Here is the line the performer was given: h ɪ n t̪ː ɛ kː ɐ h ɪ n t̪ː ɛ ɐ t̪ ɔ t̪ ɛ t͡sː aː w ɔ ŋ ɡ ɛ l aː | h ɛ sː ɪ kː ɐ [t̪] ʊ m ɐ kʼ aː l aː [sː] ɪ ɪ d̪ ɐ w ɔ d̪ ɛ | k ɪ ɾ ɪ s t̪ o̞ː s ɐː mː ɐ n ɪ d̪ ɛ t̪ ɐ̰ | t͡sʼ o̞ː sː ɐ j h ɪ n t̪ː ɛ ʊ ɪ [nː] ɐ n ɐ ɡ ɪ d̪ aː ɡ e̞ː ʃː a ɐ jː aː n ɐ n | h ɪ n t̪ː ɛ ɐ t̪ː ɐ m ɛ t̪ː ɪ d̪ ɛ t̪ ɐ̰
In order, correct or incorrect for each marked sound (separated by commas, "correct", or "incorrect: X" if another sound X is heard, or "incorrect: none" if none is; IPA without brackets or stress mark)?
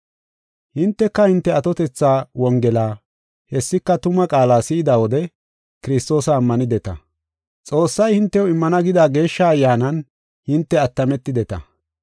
correct, incorrect: s, incorrect: mː